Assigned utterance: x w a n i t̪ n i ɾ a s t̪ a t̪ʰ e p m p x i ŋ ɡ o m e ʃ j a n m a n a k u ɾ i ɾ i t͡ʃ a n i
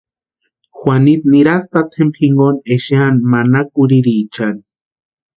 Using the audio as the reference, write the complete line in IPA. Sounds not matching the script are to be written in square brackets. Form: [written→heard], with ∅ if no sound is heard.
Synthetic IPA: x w a n i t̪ n i ɾ a s t̪ a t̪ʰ e [p→∅] m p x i ŋ ɡ o [m→n] e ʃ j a n m a n a k u ɾ i ɾ i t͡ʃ a n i

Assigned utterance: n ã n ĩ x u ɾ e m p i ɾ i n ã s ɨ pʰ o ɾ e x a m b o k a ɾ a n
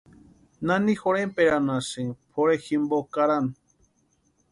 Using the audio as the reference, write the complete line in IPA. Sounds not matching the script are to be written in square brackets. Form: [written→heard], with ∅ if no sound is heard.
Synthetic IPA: n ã n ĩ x [u→o] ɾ e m p [i→e] ɾ [i→a] n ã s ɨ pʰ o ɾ e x [a→i] m b o k a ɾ a n

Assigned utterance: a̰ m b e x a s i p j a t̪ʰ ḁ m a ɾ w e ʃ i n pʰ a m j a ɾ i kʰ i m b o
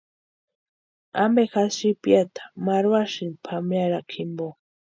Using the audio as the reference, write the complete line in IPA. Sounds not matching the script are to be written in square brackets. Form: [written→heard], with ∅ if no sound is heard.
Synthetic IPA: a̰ m b e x a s i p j a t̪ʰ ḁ m a ɾ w [e→a] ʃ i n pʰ a m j a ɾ [i→a] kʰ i m b o

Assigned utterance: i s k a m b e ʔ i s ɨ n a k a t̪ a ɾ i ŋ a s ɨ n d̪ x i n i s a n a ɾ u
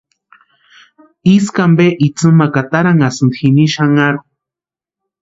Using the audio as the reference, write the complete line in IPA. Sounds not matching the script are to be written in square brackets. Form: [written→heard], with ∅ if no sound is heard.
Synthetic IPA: i s k a m b e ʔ i [s→t͡s] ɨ [n→m] a k a t̪ a ɾ [i→a] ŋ a s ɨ n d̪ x i n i [s→ʃ] a [n→ŋ] a ɾ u

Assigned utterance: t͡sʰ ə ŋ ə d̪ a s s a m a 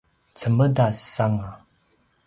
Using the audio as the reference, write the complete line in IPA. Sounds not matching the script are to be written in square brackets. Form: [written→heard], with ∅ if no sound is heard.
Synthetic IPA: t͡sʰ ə [ŋ→m] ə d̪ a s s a [m→ŋ] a

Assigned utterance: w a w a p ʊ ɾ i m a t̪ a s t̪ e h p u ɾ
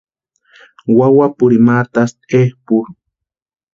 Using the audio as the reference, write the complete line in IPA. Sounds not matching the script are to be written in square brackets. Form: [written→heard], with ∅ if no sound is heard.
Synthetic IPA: w a w a p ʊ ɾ i m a t̪ a s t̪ e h p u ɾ

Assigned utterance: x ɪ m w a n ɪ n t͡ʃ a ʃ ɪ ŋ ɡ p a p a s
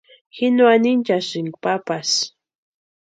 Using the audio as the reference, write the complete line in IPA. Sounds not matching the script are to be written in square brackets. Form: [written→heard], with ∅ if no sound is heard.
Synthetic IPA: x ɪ [m→n] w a n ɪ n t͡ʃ a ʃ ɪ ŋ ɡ p a p a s

